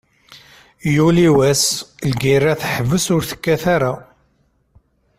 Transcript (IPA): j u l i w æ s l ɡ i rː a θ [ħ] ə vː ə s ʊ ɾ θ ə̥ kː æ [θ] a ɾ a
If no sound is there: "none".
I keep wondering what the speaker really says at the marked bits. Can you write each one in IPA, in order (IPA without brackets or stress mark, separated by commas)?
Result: ħ, θ